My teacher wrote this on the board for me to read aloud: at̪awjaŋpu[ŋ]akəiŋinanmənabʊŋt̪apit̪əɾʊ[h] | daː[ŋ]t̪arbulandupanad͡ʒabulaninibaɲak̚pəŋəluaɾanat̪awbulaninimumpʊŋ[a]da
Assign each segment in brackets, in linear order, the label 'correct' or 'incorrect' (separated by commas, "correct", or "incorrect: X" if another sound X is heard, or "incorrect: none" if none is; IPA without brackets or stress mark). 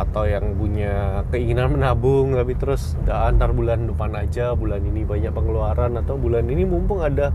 incorrect: ɲ, incorrect: s, incorrect: n, correct